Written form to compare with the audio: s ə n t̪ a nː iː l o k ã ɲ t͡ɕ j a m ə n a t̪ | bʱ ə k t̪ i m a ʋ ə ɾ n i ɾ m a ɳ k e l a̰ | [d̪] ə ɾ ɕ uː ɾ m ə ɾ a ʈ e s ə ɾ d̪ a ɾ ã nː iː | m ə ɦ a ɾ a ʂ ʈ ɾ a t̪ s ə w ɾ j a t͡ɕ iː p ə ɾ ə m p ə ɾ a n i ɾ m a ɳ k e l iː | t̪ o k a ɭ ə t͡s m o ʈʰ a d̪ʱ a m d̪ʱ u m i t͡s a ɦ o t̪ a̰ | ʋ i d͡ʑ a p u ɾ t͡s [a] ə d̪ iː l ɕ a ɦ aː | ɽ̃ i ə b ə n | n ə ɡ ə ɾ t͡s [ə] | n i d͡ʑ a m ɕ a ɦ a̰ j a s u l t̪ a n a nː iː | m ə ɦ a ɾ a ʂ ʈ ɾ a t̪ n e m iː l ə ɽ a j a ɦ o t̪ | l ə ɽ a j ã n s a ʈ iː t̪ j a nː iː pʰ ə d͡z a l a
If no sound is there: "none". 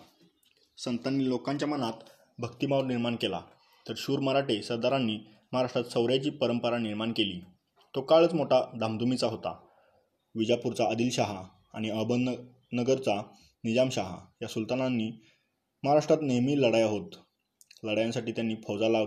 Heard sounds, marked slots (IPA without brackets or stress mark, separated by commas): t̪, a, a